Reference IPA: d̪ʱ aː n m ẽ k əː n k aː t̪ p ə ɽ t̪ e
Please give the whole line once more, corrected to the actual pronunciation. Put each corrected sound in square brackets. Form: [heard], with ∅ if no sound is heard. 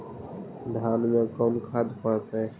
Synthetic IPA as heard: d̪ʱ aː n m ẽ k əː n [kʰ] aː [d̪] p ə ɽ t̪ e